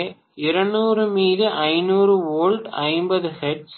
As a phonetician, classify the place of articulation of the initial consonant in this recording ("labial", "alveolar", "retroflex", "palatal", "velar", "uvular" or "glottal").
alveolar